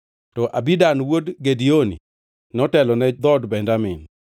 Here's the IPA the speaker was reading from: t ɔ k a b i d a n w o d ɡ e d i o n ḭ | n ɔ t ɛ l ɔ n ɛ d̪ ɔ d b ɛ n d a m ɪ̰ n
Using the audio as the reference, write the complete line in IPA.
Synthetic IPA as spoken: t ɔ ʔ a b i d a n w o d ɡ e d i o n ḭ | n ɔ t ɛ l ɔ n ɛ d̪ ɔ d b ɛ n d a m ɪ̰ n

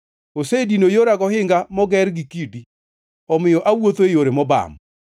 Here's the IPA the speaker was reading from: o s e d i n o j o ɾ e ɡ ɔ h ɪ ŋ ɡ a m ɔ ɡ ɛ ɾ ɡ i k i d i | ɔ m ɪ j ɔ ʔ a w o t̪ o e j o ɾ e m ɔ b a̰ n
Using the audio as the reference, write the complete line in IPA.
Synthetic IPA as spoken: o s e d i n o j o ɾ a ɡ ɔ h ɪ ŋ ɡ a m ɔ ɡ ɛ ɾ ɡ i k i d i | ɔ m ɪ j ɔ ʔ a w o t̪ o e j o ɾ e m ɔ b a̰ m

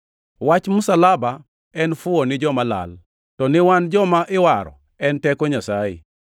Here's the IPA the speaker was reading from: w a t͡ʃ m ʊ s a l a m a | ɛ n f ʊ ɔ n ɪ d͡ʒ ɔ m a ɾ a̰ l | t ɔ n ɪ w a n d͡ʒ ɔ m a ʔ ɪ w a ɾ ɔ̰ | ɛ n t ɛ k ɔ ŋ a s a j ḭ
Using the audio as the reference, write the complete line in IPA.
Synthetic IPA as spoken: w a t͡ʃ m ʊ s a l a b a | ɛ n f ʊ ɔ n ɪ d͡ʒ ɔ m a l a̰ l | t ɔ n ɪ w a n d͡ʒ ɔ m a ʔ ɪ w a ɾ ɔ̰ | ɛ n t ɛ k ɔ ɲ a s a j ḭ

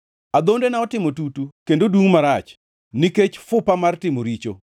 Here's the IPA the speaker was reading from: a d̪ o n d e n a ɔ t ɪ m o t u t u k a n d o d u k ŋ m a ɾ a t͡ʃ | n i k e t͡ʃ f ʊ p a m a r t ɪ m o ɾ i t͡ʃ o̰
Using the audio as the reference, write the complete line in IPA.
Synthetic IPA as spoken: a d̪ o n d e n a ɔ t ɪ m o t u t u k e n d o d u ŋ m a ɾ a t͡ʃ | n i k e t͡ʃ f ʊ p a m a r t ɪ m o ɾ i t͡ʃ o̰

